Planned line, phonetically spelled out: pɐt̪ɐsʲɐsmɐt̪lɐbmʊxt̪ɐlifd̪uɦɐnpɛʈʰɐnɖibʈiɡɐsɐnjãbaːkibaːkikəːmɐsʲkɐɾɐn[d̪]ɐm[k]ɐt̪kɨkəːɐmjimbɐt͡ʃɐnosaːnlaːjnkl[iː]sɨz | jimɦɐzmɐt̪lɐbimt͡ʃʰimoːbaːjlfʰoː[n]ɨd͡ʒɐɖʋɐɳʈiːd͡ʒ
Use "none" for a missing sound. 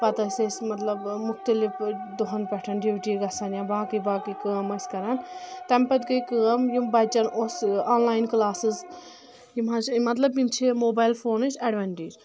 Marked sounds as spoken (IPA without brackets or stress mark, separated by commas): t̪, p, aː, n